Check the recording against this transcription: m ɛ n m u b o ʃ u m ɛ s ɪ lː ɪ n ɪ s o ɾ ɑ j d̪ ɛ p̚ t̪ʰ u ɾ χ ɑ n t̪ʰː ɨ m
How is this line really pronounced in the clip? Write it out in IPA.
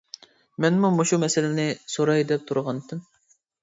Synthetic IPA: m ɛ n m u m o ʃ u m ɛ s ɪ l ɪ n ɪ s o ɾ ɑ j d̪ ɛ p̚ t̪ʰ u ɾ ʁ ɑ n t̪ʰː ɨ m